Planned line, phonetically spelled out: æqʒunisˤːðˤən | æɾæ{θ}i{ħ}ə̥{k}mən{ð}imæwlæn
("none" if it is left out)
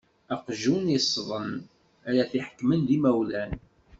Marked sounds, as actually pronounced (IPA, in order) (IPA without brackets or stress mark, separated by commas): θ, ħ, k, ð